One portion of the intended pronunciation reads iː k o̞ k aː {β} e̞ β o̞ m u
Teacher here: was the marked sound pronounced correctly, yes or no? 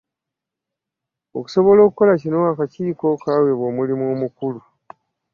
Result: no